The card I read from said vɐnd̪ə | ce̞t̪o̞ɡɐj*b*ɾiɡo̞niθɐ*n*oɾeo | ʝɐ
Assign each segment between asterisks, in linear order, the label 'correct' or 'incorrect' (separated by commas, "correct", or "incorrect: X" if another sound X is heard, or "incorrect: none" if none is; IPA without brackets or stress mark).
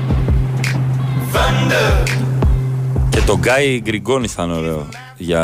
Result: incorrect: ɡ, correct